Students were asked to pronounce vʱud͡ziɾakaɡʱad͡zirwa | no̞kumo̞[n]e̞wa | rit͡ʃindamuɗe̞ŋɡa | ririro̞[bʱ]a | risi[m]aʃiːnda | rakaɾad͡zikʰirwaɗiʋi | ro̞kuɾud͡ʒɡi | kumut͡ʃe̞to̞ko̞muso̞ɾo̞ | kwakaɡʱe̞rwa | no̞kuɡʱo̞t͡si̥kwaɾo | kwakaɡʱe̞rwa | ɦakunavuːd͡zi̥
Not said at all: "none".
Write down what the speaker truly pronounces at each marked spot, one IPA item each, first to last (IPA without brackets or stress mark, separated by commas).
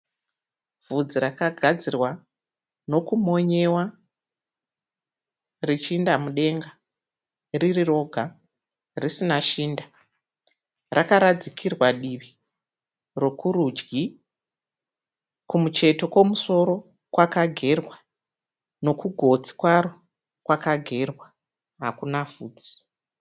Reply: ɲ, ɡʱ, n